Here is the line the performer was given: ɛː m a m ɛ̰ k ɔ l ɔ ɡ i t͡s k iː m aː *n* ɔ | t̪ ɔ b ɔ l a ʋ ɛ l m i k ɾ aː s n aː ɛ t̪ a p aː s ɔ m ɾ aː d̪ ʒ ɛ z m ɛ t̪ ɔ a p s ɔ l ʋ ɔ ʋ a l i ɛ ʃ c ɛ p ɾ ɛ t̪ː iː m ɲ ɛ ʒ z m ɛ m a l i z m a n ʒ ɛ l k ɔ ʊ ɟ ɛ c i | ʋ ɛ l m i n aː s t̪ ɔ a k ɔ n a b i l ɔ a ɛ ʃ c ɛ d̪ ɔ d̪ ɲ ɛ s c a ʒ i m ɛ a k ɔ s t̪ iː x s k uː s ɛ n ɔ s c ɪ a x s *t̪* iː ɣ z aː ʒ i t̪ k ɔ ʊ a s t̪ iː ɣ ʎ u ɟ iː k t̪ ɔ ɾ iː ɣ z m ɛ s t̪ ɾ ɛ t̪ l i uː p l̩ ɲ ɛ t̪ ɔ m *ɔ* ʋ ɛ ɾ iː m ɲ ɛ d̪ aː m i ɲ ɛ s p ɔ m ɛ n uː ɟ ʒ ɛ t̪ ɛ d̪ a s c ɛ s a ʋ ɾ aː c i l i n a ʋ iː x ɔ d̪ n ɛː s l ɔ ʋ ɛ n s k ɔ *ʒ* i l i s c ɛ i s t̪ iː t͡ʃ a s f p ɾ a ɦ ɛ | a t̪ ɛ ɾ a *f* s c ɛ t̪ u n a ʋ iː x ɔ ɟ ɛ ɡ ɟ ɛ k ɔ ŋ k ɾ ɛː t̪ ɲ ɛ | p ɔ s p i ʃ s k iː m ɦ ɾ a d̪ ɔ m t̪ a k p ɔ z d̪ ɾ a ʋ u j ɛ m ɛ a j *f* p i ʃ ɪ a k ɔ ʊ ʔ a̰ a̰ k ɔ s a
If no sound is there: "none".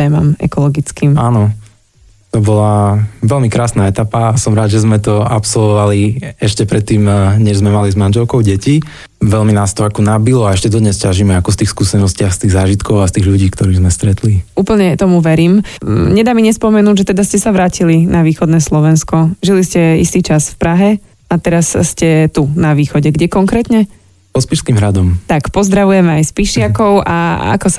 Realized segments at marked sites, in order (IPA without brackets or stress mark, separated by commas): n, t̪, u, ʒ, s, s